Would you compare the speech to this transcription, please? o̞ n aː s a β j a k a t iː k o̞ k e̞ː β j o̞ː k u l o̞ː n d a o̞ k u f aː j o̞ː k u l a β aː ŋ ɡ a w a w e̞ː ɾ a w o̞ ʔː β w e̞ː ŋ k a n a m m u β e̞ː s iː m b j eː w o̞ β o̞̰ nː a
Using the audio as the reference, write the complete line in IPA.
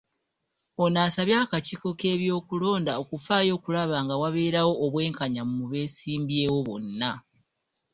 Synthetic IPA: o̞ n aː s a β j a k a c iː k o̞ k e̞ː β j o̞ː k u l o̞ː n d a o̞ k u f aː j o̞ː k u l a β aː ŋ ɡ a w a β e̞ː ɾ a w o̞ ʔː β w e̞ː ŋ k a ɲ a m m u β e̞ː s iː m b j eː w o̞ β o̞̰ nː a